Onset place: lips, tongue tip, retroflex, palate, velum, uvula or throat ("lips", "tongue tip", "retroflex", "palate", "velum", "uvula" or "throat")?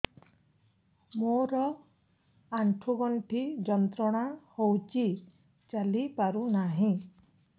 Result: lips